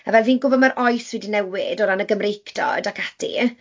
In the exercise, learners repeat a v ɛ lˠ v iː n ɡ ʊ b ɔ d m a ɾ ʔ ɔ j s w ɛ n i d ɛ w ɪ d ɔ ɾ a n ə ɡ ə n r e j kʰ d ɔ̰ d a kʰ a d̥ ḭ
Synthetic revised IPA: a v ɛ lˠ v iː n ɡ ʊ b ɔ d m a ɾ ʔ ɔ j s w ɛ d i n ɛ w ɪ d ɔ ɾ a n ə ɡ ə m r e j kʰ d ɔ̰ d a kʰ a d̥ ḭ